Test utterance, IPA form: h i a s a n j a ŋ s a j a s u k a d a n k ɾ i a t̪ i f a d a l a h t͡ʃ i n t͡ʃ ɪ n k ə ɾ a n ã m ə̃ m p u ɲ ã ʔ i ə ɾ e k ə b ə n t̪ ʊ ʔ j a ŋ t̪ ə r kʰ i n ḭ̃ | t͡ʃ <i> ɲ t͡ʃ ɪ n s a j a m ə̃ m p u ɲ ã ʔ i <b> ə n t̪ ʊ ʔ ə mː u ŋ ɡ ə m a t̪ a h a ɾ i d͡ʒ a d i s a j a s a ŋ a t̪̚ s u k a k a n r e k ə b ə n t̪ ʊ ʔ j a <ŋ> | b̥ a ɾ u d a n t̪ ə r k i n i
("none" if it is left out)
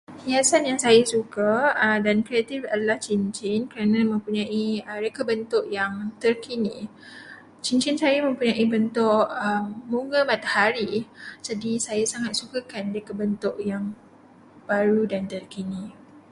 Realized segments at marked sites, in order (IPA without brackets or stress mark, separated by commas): i, b, ŋ